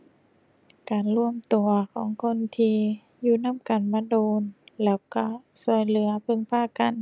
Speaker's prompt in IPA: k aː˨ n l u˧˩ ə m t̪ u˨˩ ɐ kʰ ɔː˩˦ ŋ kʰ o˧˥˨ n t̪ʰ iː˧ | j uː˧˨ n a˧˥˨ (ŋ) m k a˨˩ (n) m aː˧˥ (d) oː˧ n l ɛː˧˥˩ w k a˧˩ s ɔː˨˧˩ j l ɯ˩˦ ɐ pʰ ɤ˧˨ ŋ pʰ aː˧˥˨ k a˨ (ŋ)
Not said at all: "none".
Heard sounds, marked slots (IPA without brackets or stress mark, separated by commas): none, n, d, n